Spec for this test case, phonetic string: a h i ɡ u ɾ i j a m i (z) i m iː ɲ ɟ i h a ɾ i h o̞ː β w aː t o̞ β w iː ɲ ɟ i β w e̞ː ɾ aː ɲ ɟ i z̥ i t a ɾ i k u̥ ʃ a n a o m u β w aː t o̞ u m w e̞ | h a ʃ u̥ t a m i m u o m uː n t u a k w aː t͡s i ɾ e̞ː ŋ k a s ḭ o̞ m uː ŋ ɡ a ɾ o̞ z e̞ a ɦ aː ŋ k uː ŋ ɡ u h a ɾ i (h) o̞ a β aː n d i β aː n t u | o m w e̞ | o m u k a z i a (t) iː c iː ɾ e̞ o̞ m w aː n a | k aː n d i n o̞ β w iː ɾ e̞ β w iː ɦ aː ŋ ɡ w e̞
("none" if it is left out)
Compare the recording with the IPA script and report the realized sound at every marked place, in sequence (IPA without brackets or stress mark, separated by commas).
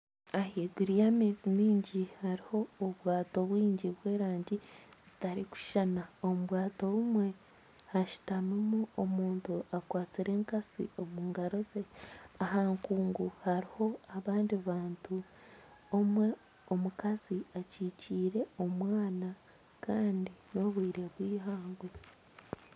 z, h, c